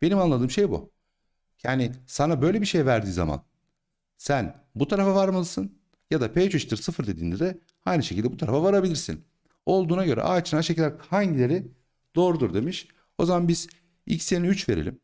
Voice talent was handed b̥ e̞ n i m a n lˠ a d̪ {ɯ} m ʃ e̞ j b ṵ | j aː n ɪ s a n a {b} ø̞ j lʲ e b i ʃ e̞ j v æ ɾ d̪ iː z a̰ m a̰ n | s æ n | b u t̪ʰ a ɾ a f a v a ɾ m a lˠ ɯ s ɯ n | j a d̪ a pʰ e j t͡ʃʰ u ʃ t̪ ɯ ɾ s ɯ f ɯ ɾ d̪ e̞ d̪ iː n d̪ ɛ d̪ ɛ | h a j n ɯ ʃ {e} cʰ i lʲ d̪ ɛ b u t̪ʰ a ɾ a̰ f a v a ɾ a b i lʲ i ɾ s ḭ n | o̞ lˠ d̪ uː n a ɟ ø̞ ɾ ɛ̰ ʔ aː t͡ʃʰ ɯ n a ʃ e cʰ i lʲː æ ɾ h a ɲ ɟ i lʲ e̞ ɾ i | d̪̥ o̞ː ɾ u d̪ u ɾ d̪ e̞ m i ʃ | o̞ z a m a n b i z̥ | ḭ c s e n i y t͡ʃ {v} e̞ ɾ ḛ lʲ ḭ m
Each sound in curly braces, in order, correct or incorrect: incorrect, correct, correct, correct

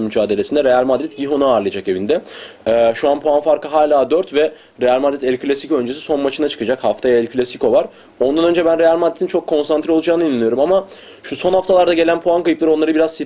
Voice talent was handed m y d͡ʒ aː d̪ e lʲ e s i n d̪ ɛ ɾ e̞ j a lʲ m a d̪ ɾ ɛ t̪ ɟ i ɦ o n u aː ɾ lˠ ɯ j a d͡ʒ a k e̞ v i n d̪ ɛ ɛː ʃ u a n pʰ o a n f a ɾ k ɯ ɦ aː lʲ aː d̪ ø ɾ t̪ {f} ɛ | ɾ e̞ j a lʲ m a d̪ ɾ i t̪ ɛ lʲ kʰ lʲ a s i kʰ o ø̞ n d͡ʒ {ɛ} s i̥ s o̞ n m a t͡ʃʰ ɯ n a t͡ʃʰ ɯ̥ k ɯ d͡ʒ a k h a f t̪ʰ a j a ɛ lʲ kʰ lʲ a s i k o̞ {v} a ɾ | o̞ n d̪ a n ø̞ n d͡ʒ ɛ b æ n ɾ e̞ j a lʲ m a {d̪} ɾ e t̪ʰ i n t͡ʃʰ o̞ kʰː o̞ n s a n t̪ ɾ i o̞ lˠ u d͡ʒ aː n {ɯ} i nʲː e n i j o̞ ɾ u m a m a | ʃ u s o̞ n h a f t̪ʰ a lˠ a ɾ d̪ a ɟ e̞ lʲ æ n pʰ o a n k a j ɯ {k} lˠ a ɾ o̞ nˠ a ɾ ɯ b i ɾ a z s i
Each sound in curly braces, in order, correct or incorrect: incorrect, incorrect, correct, correct, correct, incorrect

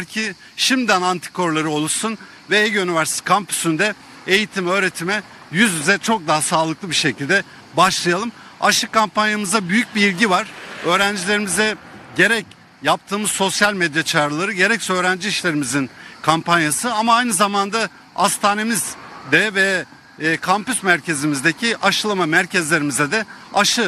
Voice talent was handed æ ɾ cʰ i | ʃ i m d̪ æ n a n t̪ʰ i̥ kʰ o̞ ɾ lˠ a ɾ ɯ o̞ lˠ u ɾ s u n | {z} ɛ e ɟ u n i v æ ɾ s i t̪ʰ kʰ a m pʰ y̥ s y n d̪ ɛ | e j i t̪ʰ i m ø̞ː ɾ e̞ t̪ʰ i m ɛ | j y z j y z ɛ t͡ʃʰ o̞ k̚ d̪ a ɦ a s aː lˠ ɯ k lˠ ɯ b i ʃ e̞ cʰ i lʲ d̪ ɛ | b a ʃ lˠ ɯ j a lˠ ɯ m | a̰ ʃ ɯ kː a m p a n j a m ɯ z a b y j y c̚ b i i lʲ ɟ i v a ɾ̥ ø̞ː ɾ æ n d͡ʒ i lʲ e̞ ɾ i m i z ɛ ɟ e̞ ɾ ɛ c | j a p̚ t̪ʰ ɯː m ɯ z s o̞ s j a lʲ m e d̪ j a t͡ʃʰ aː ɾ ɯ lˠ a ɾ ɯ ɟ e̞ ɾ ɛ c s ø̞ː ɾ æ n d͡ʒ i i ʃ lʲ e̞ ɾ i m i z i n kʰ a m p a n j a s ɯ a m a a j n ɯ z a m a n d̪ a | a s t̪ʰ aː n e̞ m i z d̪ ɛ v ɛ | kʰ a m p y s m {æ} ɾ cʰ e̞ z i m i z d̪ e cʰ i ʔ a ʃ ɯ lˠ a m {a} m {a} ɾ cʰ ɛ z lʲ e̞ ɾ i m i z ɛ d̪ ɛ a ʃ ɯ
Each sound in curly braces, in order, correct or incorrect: incorrect, correct, correct, incorrect

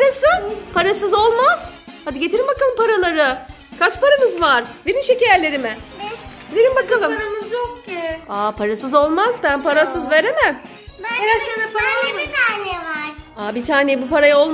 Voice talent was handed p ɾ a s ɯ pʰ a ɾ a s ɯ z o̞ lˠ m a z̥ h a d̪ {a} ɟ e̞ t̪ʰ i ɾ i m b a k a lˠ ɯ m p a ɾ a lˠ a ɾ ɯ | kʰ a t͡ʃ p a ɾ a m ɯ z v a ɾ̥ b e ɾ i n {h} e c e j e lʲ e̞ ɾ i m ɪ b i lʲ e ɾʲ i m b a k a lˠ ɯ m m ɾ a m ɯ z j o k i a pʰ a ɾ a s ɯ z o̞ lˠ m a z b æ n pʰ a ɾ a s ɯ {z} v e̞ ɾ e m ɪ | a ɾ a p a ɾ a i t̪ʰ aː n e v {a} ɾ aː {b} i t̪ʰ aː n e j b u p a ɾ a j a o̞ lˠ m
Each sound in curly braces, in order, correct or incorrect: incorrect, incorrect, correct, correct, correct

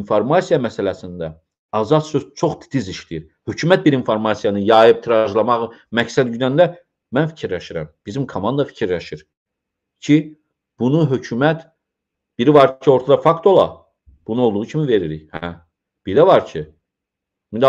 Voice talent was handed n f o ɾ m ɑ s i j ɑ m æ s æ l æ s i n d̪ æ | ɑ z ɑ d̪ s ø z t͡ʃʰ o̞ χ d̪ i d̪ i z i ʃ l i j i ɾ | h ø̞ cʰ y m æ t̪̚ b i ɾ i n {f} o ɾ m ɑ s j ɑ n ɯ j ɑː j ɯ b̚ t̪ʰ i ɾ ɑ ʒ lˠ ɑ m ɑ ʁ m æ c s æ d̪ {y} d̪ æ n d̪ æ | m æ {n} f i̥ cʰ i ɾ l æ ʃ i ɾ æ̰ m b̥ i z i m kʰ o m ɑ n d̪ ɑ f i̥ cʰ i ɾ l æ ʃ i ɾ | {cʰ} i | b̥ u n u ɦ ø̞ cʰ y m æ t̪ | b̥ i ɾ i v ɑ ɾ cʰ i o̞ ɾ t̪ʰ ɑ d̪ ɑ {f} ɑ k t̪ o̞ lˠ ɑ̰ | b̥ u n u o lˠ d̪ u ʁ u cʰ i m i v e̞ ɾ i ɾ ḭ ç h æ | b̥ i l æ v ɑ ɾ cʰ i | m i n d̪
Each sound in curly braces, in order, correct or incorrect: correct, correct, correct, correct, correct

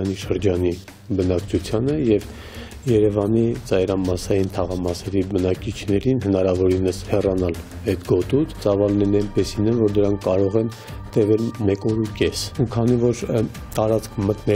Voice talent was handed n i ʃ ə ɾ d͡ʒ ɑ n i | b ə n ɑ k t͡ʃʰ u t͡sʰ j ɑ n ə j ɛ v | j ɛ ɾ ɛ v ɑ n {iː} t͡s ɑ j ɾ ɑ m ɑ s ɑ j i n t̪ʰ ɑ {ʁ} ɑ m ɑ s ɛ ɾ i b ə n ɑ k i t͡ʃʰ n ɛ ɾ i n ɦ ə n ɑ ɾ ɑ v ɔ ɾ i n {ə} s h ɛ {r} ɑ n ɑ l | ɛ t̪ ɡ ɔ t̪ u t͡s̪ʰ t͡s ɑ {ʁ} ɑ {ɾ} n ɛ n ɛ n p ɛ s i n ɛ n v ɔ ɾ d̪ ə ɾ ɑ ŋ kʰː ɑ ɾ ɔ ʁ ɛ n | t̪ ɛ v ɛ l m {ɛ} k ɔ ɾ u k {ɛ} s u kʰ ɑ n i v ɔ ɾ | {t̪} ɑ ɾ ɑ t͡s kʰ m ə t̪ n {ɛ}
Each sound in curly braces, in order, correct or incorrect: incorrect, correct, correct, correct, incorrect, incorrect, correct, correct, correct, correct

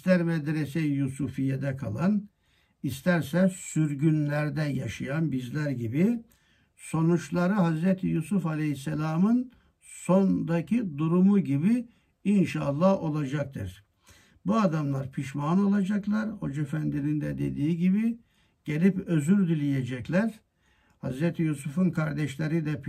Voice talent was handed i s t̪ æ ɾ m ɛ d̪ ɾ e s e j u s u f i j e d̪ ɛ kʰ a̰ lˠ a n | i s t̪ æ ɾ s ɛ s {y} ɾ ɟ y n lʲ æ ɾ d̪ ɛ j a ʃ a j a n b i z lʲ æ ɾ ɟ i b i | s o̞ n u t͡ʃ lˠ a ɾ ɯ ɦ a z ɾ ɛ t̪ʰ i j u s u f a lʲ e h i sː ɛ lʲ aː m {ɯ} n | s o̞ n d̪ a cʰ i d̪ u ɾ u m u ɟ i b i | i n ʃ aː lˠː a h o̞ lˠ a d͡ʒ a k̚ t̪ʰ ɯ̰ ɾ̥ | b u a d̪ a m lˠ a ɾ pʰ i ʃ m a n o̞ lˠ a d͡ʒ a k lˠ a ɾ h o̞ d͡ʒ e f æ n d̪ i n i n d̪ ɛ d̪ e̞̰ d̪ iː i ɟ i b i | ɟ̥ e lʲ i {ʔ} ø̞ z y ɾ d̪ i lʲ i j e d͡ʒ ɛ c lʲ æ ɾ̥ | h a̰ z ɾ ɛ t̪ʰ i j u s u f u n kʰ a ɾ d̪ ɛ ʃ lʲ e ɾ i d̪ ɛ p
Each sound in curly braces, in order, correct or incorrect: correct, correct, incorrect

